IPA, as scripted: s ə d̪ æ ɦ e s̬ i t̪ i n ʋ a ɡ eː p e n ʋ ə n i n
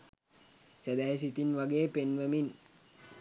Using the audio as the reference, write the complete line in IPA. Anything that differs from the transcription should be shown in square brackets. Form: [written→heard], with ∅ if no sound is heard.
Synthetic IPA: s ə d̪ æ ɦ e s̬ i t̪ i n ʋ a ɡ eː p e n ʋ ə [n→m] i n